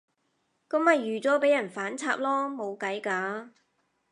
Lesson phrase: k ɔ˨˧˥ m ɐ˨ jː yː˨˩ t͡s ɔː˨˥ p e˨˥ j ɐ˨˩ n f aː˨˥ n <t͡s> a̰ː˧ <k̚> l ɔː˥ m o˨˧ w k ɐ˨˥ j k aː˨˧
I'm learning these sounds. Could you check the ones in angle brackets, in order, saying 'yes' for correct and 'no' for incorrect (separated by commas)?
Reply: no, no